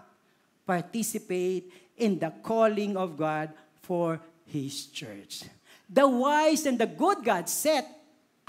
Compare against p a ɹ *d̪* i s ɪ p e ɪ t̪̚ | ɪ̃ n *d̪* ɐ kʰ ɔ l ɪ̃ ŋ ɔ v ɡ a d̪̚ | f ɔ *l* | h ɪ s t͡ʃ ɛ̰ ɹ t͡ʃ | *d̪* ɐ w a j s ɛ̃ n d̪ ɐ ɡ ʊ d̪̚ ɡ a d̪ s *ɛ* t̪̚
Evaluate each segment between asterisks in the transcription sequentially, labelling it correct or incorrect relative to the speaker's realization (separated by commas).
incorrect, correct, incorrect, correct, correct